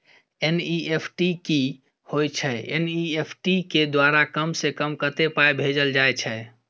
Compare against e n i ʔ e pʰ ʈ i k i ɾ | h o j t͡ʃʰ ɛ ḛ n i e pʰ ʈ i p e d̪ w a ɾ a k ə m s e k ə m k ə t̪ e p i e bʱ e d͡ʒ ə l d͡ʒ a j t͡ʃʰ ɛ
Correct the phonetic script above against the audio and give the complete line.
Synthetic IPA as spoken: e n i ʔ e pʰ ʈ i k i | h o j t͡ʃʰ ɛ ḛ n i e pʰ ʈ i k e d̪ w a ɾ a k ə m s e k ə m k ə t̪ e p a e bʱ e d͡ʒ ə l d͡ʒ a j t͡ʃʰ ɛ